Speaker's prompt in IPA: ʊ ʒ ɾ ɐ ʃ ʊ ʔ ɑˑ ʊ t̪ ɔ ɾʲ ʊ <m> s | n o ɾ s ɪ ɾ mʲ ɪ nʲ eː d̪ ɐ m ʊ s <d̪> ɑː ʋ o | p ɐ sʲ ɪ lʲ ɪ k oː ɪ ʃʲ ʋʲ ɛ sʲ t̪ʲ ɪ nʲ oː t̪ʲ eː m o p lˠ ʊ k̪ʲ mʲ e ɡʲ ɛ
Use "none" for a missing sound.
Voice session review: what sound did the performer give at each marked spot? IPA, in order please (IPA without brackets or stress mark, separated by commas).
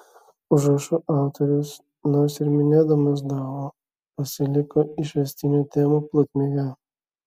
none, d̪